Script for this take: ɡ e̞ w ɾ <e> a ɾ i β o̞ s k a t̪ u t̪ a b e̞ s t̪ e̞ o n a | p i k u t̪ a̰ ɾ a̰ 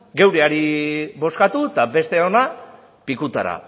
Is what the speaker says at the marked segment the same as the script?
yes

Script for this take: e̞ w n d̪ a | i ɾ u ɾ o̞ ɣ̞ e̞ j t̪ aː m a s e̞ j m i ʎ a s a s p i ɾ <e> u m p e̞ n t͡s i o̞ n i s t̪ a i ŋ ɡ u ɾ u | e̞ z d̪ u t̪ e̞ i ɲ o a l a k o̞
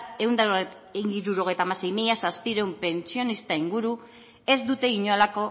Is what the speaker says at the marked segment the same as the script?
yes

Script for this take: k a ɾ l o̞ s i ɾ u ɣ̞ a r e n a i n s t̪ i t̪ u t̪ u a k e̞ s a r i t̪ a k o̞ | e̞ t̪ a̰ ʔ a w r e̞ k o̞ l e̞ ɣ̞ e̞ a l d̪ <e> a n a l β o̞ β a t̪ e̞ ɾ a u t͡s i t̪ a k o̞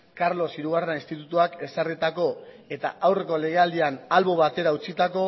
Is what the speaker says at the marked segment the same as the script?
no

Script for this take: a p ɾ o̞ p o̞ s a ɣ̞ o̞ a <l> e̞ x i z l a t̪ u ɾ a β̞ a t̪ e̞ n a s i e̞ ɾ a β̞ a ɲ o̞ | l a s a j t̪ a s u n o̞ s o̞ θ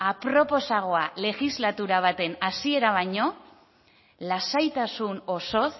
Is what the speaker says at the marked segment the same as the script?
yes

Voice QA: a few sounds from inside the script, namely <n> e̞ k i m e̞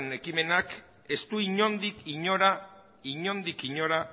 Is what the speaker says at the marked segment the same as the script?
yes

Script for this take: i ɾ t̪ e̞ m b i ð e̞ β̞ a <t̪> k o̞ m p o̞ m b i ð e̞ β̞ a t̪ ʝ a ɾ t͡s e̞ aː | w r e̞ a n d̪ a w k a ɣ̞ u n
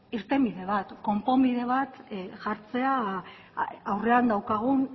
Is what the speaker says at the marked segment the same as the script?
yes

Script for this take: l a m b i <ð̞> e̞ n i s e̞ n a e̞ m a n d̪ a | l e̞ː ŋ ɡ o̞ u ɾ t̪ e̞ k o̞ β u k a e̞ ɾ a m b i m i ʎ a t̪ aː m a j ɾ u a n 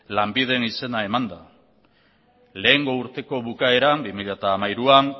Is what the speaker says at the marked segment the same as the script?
yes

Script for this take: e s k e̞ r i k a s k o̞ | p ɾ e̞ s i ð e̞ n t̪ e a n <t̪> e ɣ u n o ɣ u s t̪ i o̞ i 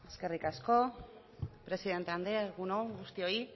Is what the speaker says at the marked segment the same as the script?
no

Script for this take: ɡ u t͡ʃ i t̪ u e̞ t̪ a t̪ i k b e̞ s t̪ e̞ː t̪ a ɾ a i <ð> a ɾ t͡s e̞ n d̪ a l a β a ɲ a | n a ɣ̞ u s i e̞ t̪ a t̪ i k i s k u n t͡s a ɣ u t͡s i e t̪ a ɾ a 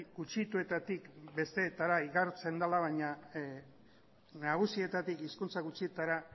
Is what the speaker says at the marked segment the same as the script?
no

